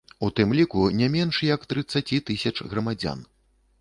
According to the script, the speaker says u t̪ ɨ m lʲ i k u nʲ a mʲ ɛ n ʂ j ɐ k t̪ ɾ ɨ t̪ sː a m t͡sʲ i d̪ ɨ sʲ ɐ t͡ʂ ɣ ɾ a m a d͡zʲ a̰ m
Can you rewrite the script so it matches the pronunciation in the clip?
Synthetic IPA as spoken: u t̪ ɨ m lʲ i k u nʲ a mʲ ɛ n ʂ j ɐ k t̪ ɾ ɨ t̪ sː a t͡sʲ i t̪ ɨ sʲ ɐ t͡ʂ ɣ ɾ ɐ m a d͡zʲ a̰ n

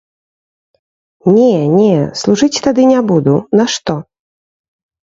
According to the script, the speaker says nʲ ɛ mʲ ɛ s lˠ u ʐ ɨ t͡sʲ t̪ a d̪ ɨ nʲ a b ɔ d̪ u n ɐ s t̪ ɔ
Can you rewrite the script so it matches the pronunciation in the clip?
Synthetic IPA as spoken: nʲ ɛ nʲ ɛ s lˠ u ʐ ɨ t͡sʲ t̪ a d̪ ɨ nʲ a b u d̪ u n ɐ ʂ t̪ ɔ

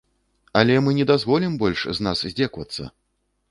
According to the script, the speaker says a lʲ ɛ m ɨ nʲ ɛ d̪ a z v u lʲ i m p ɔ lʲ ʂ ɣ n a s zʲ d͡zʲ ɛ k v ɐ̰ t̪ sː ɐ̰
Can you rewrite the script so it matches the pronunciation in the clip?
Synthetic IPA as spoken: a lʲ ɛ m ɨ nʲ ɛ d̪ a z v ɔ lʲ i m b ɔ lʲ ʂ z n a s zʲ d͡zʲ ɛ k v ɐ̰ t̪ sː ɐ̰

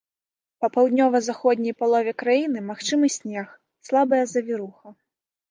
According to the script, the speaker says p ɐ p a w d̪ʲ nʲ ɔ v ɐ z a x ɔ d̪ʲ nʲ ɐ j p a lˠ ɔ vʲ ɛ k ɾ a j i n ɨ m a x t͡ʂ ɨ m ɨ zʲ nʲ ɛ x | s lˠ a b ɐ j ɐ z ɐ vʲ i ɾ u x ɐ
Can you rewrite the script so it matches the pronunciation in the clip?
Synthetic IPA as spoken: p ɐ p a w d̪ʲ nʲ ɔ v ɐ z a x ɔ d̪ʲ nʲ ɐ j p a lˠ ɔ vʲ ɛ k ɾ a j i n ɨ m a x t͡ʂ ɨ m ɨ sʲ nʲ ɛ x | s lˠ a b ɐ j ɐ z ɐ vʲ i ɾ u x ɐ

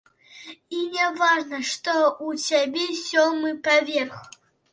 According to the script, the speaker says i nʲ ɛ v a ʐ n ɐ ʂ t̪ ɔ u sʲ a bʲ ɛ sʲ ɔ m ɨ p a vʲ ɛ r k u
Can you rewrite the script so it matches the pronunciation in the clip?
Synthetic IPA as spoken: i nʲ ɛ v a ʐ n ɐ ʂ t̪ ɔ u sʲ a bʲ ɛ sʲ ɔ m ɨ p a vʲ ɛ r x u

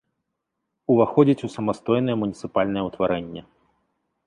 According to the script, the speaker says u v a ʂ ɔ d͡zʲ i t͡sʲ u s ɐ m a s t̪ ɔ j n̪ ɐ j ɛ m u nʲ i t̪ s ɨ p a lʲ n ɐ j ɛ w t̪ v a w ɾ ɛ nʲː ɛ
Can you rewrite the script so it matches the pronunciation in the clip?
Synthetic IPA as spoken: u v a x ɔ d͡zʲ i t͡sʲ u s ɐ m a s t̪ ɔ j n̪ ɐ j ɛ m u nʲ i t̪ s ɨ p a lʲ n ɐ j ɛ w t̪ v a ɾ ɛ nʲː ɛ

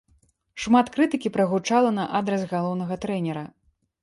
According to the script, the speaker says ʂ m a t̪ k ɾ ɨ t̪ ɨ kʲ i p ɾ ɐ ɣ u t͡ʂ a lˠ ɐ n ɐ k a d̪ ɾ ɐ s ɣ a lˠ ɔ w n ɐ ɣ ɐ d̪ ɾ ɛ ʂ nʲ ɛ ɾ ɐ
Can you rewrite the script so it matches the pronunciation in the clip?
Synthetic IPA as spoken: ʂ m a t̪ k ɾ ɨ t̪ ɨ kʲ i p ɾ ɐ ɣ u t͡ʂ a lˠ ɐ n ɐ ʔ a d̪ ɾ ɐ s ɣ a lˠ ɔ w n ɐ ɣ ɐ t̪ ɾ ɛ nʲ ɛ ɾ ɐ

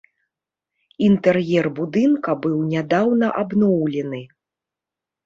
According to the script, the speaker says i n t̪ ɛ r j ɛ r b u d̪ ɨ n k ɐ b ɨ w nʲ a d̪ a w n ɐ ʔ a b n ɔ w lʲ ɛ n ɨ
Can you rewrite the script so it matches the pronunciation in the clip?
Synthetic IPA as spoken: i n t̪ ɛ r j ɛ r b u d̪ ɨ n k ɐ b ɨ w nʲ a d̪ a w n ɐ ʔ a b n ɔ w lʲ ɛ n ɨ

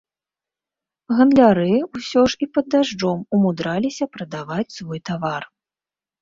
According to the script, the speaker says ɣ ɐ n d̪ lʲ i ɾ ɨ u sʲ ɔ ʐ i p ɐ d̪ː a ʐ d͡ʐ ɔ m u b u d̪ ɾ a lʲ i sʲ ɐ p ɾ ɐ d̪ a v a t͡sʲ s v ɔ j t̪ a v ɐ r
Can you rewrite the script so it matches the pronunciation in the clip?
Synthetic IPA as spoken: ɣ ɐ n d̪ lʲ a ɾ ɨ u sʲ ɔ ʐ i p ɐ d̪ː a ʐ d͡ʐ ɔ m u m u d̪ ɾ a lʲ i sʲ ɐ p ɾ ɐ d̪ a v a t͡sʲ s v ɔ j t̪ a v a r

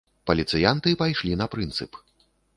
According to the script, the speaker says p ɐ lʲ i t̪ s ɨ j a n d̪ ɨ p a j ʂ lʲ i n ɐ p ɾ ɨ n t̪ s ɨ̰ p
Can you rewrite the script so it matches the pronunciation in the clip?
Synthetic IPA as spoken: p ɐ lʲ i t̪ s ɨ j a n t̪ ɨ p a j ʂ lʲ i n ɐ p ɾ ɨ n t̪ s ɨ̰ p

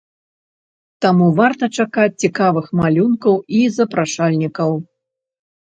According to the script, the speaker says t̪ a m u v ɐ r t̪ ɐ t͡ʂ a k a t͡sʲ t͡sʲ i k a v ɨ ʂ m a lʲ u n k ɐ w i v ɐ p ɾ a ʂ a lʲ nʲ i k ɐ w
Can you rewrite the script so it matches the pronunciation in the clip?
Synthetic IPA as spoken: t̪ a m u v a r t̪ ɐ t͡ʂ a k a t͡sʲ t͡sʲ i k a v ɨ x m a lʲ u n k ɐ w i z ɐ p ɾ a ʂ a lʲ nʲ i k ɐ w

